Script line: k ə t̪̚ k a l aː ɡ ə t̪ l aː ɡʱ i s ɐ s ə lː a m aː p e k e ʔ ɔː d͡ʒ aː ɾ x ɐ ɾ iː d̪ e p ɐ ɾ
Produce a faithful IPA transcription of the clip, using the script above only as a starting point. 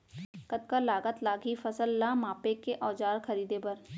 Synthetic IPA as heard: k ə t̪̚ k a l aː ɡ ə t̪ l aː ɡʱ i f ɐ s ə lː a m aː p e k e ʔ ɔː d͡ʒ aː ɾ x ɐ ɾ iː d̪ e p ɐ ɾ